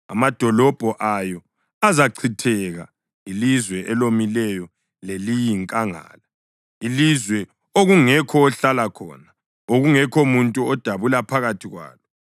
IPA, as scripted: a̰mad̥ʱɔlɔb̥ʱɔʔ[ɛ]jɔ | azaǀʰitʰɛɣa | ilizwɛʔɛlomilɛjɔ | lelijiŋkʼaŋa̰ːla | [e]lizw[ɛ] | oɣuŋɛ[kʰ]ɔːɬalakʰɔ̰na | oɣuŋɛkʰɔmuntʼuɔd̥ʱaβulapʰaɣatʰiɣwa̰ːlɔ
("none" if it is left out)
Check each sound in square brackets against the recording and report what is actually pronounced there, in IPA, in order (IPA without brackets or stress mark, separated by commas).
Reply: a, i, ɛ, kʰ